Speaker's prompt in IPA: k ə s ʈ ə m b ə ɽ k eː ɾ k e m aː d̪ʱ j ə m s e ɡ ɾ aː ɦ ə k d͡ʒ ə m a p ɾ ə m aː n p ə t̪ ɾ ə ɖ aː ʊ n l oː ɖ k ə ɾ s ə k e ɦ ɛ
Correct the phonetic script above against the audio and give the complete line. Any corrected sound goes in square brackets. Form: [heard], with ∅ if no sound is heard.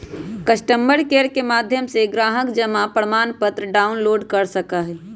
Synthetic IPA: k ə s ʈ ə m b ə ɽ k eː ɾ k e m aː d̪ʱ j ə m s e ɡ ɾ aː ɦ ə k d͡ʒ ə m a p ɾ ə m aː n p ə t̪ ɾ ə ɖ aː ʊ n l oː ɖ k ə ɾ s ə k [a] ɦ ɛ